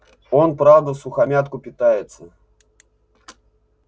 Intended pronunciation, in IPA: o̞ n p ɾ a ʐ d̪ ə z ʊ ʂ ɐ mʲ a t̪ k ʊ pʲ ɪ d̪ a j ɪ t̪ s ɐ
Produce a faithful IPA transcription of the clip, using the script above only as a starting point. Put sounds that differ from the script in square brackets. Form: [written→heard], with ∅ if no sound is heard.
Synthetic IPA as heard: o̞ n p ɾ a [ʐ→v] d̪ ə [z→s] ʊ [ʂ→x] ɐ mʲ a t̪ k ʊ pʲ ɪ [d̪→t̪] a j ɪ t̪ s [ɐ→ə]